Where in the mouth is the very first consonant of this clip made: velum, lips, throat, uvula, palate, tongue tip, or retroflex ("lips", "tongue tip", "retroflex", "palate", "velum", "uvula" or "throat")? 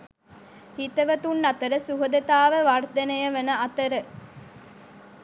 throat